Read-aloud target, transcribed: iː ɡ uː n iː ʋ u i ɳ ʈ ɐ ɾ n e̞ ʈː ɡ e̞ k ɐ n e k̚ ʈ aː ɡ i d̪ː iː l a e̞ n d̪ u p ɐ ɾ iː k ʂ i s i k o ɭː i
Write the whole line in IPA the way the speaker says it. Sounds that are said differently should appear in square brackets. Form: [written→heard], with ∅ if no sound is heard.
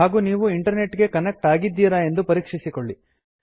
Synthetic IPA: [iː→aː] ɡ uː n iː ʋ u i ɳ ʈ ɐ ɾ n e̞ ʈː ɡ e̞ k ɐ n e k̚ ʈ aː ɡ i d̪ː iː [l→ɾ] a e̞ n d̪ u p ɐ ɾ iː k ʂ i s i k o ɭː i